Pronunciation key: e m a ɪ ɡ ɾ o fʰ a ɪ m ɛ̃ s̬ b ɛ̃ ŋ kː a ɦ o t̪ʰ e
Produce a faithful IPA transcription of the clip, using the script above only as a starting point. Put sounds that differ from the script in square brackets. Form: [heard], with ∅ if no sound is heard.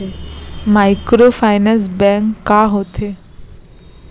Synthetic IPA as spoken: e m a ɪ [k] ɾ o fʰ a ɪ [n] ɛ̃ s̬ b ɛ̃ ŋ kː a ɦ o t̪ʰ e